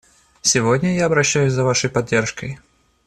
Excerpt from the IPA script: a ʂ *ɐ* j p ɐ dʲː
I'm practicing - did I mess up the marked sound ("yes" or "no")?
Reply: yes